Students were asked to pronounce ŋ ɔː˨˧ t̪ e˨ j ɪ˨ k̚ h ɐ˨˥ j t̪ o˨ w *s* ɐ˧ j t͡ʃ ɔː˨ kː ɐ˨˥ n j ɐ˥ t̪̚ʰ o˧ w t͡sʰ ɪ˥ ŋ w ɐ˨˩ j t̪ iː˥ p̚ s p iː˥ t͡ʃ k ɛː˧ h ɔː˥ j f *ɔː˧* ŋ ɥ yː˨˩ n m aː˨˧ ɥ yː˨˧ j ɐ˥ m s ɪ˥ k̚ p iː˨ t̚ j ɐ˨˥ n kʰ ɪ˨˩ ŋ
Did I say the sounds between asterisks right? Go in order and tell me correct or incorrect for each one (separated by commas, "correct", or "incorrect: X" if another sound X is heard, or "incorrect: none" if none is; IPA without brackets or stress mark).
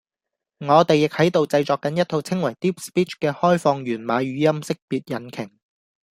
incorrect: t͡s, correct